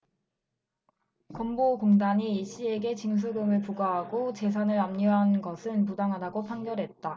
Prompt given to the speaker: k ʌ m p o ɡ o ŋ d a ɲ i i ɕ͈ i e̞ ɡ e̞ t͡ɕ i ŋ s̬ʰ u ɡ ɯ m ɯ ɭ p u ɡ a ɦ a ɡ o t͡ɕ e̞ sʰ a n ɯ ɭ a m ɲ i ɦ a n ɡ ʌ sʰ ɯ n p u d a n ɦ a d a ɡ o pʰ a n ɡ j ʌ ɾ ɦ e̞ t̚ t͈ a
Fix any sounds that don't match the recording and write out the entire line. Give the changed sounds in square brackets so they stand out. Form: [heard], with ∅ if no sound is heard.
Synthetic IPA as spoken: k ʌ m [b] o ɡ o ŋ d a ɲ i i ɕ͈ i e̞ ɡ e̞ t͡ɕ i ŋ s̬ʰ u ɡ ɯ m ɯ ɭ p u ɡ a ɦ a ɡ o t͡ɕ e̞ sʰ a n ɯ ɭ a m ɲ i ɦ a n ɡ ʌ sʰ ɯ n p u d a [ŋ] ɦ a d a ɡ o pʰ a [ŋ] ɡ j ʌ ɾ ɦ e̞ t̚ t͈ a